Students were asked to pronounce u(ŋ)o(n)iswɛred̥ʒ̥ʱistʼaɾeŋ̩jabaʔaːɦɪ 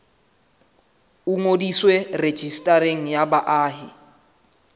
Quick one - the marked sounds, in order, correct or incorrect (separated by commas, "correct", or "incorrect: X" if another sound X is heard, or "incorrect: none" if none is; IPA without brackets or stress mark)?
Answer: correct, incorrect: d